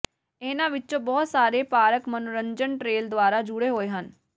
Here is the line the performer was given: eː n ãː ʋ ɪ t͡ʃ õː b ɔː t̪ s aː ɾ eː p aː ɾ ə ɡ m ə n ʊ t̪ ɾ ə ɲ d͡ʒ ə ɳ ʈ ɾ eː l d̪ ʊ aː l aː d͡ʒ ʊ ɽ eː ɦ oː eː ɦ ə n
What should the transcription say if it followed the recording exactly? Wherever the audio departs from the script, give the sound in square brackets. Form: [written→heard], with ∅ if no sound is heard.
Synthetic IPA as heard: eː n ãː ʋ ɪ t͡ʃ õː b ɔː t̪ s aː ɾ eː p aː ɾ ə [ɡ→k] m ə n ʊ [t̪→∅] ɾ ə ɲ d͡ʒ ə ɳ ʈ ɾ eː l d̪ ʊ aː [l→ɾ] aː d͡ʒ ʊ ɽ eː ɦ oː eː ɦ ə n

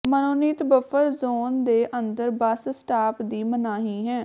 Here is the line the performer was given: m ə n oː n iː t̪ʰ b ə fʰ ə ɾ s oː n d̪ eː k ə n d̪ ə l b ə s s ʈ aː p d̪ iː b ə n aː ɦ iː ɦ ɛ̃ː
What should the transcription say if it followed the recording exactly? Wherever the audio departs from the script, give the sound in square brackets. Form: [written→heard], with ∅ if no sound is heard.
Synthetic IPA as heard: m ə n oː n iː [t̪ʰ→t̪] b ə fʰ ə ɾ [s→z] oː n d̪ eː [k→ʔ] ə n d̪ ə [l→ɾ] b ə s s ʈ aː p d̪ iː [b→m] ə n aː ɦ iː ɦ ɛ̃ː

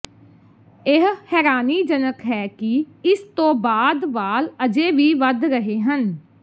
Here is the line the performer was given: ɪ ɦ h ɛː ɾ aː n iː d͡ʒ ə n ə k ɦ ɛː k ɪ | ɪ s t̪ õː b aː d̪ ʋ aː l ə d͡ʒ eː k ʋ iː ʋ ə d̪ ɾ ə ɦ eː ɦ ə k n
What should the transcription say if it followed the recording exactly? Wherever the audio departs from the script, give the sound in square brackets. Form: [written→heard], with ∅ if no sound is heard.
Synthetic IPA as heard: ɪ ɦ h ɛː ɾ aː n iː d͡ʒ ə n ə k ɦ ɛː k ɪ | ɪ s t̪ õː b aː d̪ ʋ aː l ə d͡ʒ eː [k→∅] ʋ iː ʋ ə d̪ ɾ ə ɦ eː ɦ ə [k→∅] n

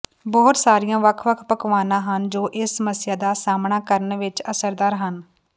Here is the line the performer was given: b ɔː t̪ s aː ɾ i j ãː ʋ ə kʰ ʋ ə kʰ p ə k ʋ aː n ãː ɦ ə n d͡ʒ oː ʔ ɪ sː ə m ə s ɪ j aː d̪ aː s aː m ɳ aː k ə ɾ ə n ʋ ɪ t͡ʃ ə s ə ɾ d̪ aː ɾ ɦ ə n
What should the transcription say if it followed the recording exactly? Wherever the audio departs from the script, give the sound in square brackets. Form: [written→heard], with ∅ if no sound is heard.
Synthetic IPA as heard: b ɔː t̪ s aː ɾ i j ãː ʋ ə kʰ ʋ ə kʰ p ə k ʋ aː n ãː ɦ ə n d͡ʒ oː ʔ ɪ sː ə m ə s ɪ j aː d̪ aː s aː m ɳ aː k ə ɾ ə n ʋ ɪ t͡ʃ ə s ə ɾ d̪ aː ɾ ɦ ə n

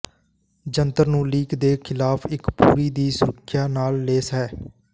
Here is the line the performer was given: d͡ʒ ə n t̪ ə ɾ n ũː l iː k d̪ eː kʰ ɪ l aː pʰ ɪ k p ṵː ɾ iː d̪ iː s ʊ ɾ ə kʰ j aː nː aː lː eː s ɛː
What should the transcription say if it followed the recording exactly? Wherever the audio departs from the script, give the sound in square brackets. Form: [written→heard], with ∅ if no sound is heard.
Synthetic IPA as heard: d͡ʒ ə n t̪ ə ɾ n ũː l iː k d̪ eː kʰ ɪ l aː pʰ ɪ k p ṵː ɾ iː d̪ iː s ʊ ɾ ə kʰ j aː [nː→n] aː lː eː s ɛː

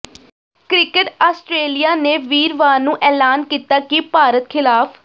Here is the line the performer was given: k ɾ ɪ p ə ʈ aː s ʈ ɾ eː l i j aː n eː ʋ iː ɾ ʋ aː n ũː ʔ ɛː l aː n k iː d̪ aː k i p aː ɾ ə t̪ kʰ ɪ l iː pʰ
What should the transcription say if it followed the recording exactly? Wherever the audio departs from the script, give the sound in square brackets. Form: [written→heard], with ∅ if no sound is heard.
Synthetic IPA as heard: k ɾ ɪ [p→k] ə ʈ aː s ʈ ɾ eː l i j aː n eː ʋ iː ɾ ʋ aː n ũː ʔ ɛː l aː n k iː [d̪→t̪] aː k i p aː ɾ ə t̪ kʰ ɪ l [iː→aː] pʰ

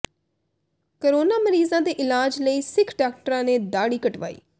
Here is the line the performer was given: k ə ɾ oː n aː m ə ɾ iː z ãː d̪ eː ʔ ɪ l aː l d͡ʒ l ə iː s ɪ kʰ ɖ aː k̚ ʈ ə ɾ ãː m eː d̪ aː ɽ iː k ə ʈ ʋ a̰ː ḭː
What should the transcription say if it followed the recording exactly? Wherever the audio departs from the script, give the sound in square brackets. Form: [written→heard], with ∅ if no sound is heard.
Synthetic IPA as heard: k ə ɾ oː n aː m ə ɾ iː z ãː d̪ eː ʔ ɪ l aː [l→∅] d͡ʒ l ə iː s ɪ kʰ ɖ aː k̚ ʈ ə ɾ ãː [m→n] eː d̪ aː ɽ iː k ə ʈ ʋ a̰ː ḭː

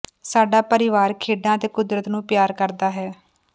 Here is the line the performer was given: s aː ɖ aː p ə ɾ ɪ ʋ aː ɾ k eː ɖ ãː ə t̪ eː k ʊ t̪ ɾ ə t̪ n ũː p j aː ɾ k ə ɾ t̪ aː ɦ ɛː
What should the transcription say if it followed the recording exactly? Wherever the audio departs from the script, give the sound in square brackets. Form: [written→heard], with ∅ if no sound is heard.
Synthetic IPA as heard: s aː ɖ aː p ə ɾ ɪ ʋ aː ɾ [k→kʰ] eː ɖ ãː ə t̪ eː k ʊ [t̪→d̪] ɾ ə t̪ n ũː p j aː ɾ k ə ɾ [t̪→d̪] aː ɦ ɛː

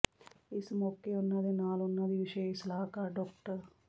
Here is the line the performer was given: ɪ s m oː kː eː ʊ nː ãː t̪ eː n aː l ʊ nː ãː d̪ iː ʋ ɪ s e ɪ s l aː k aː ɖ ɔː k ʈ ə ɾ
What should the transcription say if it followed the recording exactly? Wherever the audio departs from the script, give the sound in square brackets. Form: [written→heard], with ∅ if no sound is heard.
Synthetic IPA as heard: ɪ s m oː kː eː ʊ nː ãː [t̪→d̪] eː n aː l ʊ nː ãː d̪ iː ʋ ɪ [s→ʃ] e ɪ s l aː k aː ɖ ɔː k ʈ ə ɾ

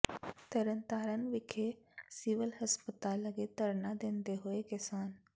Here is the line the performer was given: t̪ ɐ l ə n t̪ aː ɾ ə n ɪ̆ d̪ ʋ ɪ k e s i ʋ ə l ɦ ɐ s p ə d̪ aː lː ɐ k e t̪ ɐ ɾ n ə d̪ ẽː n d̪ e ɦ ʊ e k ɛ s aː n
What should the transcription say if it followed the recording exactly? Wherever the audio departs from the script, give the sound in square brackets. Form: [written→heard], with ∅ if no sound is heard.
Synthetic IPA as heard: t̪ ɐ [l→ɾ] ə n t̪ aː ɾ ə n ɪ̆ [d̪→∅] ʋ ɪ [k→kʰ] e s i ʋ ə l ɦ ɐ s p ə [d̪→t̪] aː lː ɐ [k→ɡ] e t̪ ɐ ɾ n [ə→a] d̪ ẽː n d̪ e ɦ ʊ e k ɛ s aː n

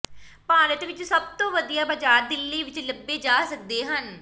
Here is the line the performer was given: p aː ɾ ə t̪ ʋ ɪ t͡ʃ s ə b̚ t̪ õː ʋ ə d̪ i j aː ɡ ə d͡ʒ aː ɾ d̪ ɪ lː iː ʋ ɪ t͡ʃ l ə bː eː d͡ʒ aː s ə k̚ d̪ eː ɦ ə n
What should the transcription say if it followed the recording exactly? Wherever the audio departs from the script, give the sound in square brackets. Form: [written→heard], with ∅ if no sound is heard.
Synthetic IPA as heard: p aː ɾ ə t̪ ʋ ɪ t͡ʃ s ə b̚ t̪ õː ʋ ə d̪ i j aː [ɡ→b] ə d͡ʒ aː ɾ d̪ ɪ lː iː ʋ ɪ t͡ʃ l ə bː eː d͡ʒ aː s ə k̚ d̪ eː ɦ ə n

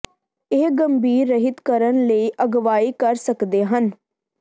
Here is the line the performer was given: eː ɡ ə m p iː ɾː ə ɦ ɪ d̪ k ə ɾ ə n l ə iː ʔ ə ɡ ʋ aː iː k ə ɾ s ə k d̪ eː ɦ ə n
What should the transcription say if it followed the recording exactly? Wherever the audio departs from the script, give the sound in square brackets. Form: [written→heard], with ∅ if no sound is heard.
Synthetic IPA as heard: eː ɡ ə m [p→b] iː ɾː ə ɦ ɪ [d̪→t̪] k ə ɾ ə n l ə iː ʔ ə ɡ ʋ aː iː k ə ɾ s ə k d̪ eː ɦ ə n

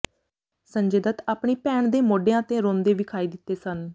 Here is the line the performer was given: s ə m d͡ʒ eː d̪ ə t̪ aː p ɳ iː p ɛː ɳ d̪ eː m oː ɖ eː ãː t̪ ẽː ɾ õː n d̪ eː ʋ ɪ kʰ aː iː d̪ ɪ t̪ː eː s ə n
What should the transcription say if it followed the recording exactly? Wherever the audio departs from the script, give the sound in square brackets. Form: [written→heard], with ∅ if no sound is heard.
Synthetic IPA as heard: s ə [m→ɲ] d͡ʒ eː d̪ ə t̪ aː p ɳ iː p ɛː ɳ d̪ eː m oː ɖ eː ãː t̪ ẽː ɾ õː n d̪ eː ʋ ɪ kʰ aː iː d̪ ɪ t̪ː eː s ə n

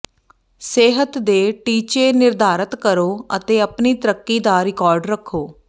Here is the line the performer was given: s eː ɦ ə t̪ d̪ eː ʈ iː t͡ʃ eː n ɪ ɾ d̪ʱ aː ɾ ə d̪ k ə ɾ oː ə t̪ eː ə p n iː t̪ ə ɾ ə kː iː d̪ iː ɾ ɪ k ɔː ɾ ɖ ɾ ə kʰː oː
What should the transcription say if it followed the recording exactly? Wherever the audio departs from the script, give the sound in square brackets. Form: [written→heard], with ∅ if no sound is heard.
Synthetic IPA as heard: s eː ɦ ə t̪ d̪ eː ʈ iː t͡ʃ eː n ɪ ɾ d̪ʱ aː ɾ ə [d̪→t̪] k ə ɾ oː ə t̪ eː ə p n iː t̪ ə ɾ ə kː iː d̪ [iː→aː] ɾ ɪ k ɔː ɾ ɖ ɾ ə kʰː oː

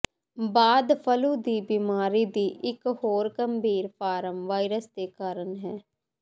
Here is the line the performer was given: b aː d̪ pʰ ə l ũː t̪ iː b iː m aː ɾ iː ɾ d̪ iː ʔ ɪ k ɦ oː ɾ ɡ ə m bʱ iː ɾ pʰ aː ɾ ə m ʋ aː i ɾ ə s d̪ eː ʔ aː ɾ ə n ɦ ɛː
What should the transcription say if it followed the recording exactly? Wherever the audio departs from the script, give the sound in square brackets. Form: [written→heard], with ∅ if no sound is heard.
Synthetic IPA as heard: b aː d̪ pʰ ə l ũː [t̪→d̪] iː b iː m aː ɾ iː [ɾ→∅] d̪ iː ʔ ɪ k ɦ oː ɾ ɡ ə m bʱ iː ɾ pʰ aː ɾ ə m ʋ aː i ɾ ə s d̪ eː [ʔ→k] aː ɾ ə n ɦ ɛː

